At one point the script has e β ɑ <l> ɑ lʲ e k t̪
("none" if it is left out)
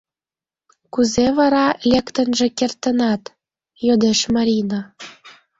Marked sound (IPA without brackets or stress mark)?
ɾ